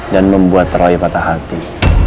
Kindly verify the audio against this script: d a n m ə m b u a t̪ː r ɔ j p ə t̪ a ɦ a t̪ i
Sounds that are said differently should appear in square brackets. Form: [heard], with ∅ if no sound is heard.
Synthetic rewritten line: d a n m ə m b u a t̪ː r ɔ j p [a] t̪ a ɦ a t̪ i